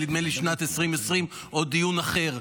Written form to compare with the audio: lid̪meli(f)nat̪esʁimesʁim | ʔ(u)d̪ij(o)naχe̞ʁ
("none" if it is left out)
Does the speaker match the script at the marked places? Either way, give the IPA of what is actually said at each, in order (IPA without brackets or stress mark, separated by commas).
ʃ, o, u